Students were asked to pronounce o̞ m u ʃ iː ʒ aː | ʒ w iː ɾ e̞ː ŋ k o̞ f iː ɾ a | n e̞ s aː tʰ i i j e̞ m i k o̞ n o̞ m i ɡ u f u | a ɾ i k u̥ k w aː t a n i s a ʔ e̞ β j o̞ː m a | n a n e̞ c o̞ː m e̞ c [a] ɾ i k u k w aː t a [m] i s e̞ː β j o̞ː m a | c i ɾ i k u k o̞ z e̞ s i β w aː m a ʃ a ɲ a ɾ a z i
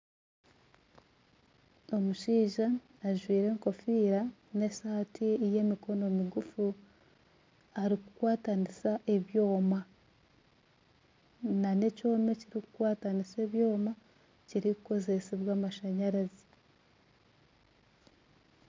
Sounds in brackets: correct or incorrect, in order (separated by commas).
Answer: incorrect, incorrect